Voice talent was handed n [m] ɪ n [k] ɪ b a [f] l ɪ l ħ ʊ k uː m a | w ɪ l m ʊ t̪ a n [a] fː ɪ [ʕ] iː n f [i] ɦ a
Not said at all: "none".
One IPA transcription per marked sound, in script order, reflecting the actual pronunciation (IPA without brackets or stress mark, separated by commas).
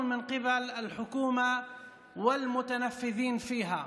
m, q, none, a, ð, iː